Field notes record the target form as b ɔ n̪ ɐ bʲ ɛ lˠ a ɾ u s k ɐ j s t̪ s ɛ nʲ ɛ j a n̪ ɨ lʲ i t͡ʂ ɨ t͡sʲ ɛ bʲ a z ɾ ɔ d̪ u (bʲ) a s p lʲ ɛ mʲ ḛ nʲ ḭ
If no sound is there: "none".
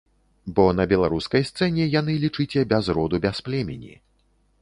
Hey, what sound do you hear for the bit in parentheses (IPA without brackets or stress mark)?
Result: bʲ